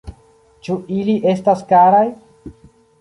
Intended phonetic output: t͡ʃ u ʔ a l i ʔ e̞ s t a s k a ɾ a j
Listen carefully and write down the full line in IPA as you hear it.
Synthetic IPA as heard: t͡ʃ u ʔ i l i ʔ e̞ s t a s k a ɾ a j